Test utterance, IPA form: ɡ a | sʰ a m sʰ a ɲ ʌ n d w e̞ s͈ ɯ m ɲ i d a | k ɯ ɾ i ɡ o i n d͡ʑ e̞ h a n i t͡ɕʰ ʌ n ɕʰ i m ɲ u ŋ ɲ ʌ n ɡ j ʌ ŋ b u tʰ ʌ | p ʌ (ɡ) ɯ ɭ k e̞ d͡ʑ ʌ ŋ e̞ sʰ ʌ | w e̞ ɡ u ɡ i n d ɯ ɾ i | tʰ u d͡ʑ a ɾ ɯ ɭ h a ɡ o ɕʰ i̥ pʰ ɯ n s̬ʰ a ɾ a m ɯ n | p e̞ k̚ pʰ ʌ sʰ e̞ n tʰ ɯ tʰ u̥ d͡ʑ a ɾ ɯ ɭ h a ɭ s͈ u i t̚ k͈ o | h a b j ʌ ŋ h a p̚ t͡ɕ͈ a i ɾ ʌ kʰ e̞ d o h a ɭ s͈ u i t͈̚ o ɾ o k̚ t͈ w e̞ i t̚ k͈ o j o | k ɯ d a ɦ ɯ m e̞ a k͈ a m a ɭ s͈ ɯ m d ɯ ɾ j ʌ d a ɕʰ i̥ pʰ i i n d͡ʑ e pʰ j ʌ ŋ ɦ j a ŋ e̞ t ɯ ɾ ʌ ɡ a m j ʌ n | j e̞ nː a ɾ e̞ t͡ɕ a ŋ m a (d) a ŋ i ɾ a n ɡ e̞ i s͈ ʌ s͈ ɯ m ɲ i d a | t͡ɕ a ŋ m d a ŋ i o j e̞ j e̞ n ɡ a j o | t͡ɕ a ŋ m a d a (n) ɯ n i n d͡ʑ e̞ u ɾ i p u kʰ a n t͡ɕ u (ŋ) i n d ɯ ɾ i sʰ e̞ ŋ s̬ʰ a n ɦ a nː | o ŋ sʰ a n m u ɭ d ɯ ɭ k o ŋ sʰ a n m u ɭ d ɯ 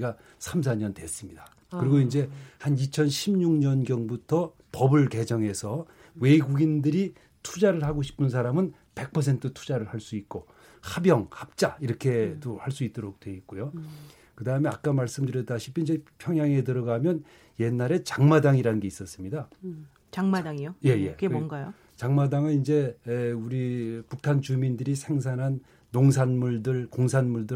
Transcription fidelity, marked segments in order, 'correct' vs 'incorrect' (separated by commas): incorrect, correct, incorrect, incorrect